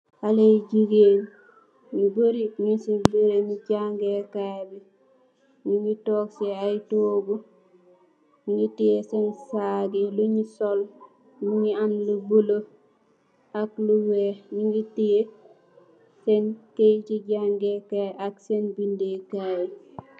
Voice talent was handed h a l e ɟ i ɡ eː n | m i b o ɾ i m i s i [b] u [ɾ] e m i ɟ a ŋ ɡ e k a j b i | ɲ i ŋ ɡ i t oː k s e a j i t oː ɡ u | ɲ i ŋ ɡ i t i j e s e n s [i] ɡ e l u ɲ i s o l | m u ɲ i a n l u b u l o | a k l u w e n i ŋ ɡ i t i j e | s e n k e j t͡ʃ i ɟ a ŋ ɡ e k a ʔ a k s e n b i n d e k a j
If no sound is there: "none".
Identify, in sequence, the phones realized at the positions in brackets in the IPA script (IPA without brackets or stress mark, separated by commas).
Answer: b, ɾ, a